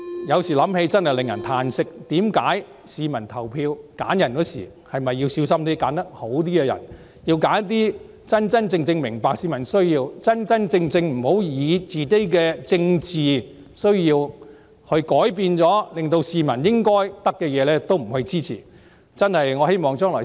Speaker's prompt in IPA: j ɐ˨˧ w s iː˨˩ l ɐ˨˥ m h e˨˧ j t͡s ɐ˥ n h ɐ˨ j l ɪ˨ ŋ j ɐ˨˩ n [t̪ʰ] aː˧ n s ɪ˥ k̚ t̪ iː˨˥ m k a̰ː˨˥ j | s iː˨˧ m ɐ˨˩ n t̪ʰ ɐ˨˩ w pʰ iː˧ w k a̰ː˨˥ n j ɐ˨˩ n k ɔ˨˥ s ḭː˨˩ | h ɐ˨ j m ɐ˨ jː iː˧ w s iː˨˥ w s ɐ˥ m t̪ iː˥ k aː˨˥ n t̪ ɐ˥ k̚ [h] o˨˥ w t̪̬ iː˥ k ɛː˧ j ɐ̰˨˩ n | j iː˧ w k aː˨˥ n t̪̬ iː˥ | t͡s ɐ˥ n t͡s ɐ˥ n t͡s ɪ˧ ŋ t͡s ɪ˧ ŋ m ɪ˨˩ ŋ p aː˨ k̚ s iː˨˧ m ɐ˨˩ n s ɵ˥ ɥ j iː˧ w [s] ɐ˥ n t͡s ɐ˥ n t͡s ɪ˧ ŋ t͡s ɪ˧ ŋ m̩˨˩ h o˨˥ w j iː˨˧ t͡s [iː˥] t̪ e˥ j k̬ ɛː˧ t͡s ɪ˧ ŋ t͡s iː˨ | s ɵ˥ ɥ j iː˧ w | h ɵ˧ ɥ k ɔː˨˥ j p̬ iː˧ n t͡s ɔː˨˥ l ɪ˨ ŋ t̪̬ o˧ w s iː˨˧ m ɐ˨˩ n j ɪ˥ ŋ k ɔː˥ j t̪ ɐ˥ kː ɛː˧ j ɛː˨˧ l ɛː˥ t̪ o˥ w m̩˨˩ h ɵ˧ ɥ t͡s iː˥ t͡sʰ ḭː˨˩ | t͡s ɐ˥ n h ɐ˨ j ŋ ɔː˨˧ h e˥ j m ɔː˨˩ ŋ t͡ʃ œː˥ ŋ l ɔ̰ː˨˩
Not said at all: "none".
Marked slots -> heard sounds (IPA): t̪ʰ, h, t͡s, iː˨

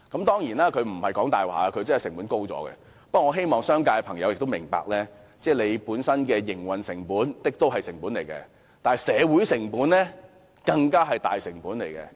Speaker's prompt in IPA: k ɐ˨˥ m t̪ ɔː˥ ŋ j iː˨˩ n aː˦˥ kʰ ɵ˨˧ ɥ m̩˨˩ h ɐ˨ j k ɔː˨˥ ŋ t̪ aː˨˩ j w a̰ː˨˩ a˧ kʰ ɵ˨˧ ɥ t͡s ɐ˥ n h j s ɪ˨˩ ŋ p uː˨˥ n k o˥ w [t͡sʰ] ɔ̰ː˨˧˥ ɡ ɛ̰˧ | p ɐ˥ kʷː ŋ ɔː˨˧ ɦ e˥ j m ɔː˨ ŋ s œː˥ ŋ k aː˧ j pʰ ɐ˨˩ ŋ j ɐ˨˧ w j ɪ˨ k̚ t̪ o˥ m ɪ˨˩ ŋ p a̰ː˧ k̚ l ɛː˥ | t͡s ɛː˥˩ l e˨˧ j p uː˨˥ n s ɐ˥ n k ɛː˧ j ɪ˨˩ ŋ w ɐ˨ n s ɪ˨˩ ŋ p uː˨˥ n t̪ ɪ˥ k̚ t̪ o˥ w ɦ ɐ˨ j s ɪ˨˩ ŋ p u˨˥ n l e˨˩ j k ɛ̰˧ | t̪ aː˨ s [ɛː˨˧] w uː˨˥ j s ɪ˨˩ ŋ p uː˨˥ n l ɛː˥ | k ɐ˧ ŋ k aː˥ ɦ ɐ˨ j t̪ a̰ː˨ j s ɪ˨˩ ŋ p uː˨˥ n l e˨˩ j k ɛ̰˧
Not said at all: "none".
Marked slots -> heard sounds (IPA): t͡s, ɛː˨˧

